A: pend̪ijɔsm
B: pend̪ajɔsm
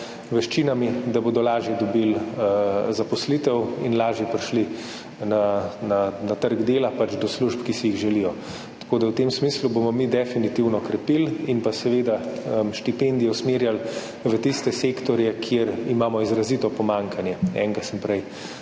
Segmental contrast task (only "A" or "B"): A